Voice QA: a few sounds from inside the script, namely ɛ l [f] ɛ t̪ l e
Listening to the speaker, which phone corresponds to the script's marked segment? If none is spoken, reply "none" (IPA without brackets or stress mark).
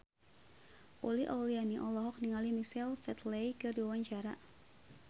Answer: f